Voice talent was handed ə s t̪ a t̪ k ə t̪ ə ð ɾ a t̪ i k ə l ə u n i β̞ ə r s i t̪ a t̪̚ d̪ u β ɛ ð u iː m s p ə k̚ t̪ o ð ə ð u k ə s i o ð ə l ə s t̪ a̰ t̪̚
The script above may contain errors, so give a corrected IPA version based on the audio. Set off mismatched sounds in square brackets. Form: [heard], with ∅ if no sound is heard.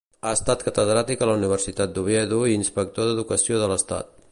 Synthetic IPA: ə s t̪ a t̪ k ə t̪ ə ð ɾ a t̪ i k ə l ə u n i β̞ ə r s i t̪ a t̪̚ d̪ u β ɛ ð u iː [n] s p ə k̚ t̪ o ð ə ð u k ə s i o ð ə l ə s t̪ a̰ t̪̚